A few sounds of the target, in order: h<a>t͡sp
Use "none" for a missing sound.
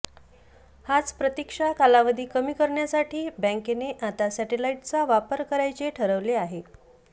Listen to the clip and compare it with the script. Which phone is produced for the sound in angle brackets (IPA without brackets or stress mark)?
a